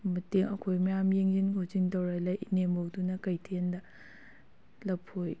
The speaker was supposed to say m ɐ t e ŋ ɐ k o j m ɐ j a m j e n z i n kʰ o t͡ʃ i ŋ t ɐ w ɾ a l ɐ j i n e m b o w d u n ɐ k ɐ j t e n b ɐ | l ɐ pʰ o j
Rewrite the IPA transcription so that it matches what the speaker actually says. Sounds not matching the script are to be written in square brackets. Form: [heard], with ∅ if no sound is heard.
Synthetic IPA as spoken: m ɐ t e ŋ ɐ [kʰ] o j m ɐ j a m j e [ŋ] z i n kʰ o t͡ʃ i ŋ t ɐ w ɾ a l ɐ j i n e m b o w d u n ɐ k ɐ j [tʰ] e n [d] ɐ | l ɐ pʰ o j

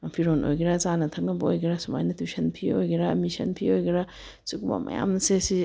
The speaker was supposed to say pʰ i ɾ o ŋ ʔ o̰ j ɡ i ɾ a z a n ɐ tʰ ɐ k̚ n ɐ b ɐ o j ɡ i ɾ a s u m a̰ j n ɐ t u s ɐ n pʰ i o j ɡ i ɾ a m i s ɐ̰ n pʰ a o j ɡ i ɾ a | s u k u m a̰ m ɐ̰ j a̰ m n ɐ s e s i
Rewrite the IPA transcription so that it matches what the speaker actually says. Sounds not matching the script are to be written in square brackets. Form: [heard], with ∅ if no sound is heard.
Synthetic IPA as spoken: pʰ i ɾ o [n] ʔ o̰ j ɡ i ɾ a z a n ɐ tʰ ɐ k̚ n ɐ b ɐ o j ɡ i ɾ a s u m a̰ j n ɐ t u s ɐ n pʰ i o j ɡ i ɾ a m i s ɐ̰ n pʰ [i] o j ɡ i ɾ a | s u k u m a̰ m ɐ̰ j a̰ m n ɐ s e s i

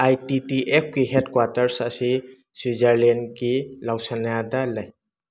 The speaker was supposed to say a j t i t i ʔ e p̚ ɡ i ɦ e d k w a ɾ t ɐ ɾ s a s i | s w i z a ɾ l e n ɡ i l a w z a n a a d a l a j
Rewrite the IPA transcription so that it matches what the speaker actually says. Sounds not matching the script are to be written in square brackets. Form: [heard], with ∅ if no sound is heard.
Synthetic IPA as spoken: a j t i t i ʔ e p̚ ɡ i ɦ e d k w a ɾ t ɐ ɾ s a s i | s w i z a ɾ l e n ɡ i l a w [s] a n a a d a l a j

